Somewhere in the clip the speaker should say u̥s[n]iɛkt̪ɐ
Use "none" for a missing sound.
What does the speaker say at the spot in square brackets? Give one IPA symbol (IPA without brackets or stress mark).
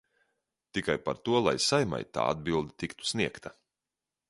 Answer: n